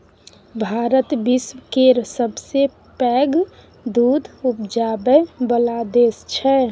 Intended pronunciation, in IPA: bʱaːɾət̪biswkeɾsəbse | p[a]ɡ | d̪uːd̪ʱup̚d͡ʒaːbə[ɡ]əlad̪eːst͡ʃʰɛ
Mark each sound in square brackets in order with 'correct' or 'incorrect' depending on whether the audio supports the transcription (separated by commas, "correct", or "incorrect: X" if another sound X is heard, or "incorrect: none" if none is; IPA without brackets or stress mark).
incorrect: ɛ, incorrect: b